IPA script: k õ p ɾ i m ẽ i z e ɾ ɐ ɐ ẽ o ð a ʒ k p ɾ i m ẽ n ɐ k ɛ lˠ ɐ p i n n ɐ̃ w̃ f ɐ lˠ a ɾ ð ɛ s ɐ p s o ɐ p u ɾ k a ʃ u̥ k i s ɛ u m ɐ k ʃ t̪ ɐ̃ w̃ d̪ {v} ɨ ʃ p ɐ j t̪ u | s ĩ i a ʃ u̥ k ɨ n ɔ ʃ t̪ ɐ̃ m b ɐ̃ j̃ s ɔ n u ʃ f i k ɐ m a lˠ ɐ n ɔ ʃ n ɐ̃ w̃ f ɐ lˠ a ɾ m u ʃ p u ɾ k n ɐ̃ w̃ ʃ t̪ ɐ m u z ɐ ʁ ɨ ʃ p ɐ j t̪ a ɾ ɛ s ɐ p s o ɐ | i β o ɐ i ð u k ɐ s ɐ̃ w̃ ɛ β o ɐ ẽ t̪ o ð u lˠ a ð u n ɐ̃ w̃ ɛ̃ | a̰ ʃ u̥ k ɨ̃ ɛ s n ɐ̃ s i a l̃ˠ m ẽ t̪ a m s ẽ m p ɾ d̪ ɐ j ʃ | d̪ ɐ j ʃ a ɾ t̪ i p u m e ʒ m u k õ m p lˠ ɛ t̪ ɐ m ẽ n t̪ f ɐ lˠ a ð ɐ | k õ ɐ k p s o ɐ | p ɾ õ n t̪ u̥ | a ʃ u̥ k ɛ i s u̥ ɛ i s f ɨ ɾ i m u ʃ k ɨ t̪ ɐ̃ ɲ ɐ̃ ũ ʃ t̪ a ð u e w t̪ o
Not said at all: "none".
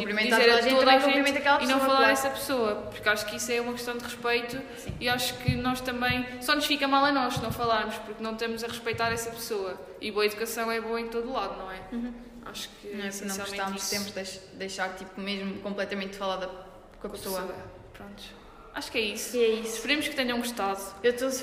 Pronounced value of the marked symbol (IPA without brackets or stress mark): ʁ